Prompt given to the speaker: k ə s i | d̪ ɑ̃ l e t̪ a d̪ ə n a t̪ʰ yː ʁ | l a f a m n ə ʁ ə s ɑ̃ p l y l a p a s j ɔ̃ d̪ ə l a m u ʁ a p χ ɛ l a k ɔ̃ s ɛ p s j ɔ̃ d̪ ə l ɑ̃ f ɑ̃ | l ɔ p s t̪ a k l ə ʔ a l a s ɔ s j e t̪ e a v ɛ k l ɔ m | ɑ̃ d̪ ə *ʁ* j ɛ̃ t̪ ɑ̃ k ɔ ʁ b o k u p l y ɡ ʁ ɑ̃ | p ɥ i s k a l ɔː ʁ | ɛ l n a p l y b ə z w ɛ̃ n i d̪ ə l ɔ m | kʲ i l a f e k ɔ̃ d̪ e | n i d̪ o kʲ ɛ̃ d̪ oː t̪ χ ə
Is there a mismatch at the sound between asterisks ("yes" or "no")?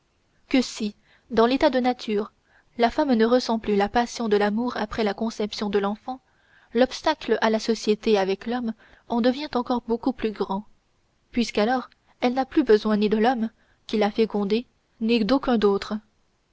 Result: yes